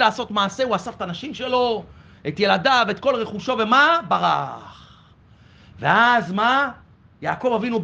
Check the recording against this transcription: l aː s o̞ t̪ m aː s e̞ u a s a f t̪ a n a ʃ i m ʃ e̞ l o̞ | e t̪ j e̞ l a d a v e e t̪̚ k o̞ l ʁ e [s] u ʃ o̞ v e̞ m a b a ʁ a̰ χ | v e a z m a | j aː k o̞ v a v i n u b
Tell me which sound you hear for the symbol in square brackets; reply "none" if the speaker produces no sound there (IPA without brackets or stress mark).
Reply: χ